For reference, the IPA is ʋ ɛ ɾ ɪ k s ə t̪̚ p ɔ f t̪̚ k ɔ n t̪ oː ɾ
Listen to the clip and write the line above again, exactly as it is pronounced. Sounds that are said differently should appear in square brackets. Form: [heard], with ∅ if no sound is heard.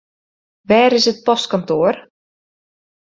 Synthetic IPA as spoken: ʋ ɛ ɾ ɪ [∅] s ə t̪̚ p ɔ [s] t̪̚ k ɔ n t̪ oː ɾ

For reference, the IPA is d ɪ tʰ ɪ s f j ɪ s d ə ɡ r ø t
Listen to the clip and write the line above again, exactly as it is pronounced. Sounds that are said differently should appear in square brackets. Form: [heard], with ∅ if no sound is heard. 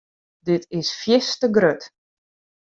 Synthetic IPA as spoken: d ɪ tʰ ɪ s f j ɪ s [t] ə ɡ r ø t

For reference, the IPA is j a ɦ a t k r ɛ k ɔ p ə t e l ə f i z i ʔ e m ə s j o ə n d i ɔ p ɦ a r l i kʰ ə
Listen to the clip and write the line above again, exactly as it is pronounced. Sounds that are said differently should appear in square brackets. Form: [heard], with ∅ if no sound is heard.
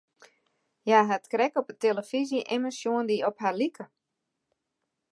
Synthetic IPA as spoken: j a ɦ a t k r ɛ k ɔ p ə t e l ə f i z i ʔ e m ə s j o ə n d i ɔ p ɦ a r l i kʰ ə

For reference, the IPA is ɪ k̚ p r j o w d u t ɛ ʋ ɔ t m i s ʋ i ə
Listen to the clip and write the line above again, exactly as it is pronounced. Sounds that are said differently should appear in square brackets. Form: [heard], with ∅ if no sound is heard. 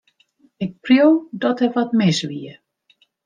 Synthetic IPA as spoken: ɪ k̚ p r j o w d [ɔ] t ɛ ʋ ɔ t m [ɪ] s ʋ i ə

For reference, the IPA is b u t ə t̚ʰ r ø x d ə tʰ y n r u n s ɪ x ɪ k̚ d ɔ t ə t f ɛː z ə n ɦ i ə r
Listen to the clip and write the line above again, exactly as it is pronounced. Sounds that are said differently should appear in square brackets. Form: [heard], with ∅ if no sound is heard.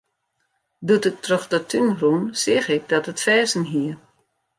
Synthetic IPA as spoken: [d] u t ə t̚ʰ r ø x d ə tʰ y n r u n s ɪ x ɪ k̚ d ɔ t ə t f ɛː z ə n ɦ i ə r

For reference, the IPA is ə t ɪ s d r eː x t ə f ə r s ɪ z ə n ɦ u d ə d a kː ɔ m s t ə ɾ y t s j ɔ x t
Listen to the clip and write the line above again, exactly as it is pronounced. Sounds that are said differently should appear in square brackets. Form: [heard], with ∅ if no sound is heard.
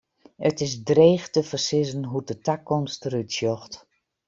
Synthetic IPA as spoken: ə t ɪ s d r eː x t ə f ə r s ɪ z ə n ɦ u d ə [t] a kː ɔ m s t ə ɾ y t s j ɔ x t

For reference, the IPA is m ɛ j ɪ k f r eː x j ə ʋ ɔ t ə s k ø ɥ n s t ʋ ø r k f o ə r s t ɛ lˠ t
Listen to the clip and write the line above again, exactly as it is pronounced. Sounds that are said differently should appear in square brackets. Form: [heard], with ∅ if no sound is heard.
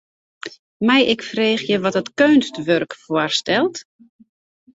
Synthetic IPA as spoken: m ɛ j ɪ k f r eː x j ə ʋ ɔ t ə [t] k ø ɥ n s t ʋ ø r k f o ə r s t ɛ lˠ t

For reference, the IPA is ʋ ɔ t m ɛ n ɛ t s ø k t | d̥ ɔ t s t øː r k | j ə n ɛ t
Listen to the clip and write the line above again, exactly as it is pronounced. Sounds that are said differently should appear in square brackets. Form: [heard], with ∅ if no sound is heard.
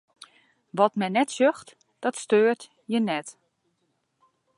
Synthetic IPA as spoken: ʋ ɔ t m ɛ n ɛ t s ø [x] t | d̥ ɔ t s t øː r [t] | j ə n ɛ t

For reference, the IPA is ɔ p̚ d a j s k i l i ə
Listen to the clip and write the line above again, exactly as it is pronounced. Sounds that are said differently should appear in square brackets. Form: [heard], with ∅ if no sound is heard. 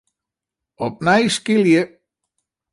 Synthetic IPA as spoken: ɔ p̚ [n] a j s k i l [j] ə

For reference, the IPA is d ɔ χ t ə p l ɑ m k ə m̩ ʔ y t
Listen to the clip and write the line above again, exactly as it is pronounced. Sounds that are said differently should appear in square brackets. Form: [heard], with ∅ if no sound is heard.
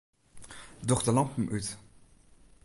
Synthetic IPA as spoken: d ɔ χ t ə [∅] l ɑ m [p] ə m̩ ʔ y t

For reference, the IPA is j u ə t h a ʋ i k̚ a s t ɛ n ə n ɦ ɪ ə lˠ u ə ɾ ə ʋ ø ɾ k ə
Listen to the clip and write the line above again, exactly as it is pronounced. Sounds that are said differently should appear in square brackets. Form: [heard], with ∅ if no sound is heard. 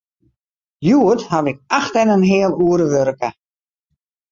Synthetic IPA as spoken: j u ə t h a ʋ [ɪ] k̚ a [x] t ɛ n ə n ɦ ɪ ə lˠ u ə ɾ ə ʋ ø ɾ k ə

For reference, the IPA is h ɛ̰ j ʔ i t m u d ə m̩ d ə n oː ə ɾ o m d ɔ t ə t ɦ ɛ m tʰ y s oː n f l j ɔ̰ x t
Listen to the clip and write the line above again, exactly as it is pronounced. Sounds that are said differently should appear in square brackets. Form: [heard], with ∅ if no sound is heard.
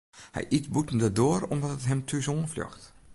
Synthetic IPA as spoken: h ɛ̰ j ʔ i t [b] u [t] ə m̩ d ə [d] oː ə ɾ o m d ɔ t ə t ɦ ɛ m tʰ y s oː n f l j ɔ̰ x t

